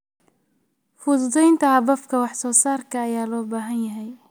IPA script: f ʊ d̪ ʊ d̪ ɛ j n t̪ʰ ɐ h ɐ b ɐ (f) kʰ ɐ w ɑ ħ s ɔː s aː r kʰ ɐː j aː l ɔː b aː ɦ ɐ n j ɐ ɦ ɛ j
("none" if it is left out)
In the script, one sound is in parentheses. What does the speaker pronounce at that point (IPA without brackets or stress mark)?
f